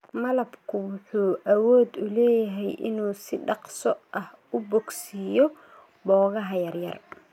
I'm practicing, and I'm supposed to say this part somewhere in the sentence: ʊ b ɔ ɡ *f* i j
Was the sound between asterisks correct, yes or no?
no